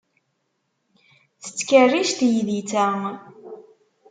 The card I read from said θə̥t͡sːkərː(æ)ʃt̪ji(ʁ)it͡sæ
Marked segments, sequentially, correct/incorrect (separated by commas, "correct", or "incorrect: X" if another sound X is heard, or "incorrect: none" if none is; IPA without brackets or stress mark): incorrect: i, incorrect: ð